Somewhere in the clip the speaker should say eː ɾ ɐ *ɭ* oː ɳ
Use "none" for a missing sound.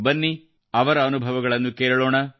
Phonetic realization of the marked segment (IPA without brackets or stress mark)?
ɭ